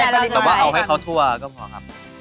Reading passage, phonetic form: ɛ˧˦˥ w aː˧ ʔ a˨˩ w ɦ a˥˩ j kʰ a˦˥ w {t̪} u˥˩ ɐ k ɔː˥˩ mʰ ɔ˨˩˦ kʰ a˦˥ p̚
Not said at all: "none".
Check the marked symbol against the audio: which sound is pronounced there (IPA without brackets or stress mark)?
t̪ʰ